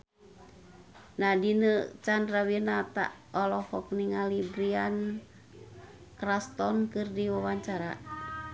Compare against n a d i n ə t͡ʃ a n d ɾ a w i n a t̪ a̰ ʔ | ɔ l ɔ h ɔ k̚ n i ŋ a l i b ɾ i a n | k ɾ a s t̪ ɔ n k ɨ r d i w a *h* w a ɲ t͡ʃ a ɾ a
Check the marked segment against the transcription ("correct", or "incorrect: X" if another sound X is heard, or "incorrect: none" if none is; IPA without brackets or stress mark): incorrect: none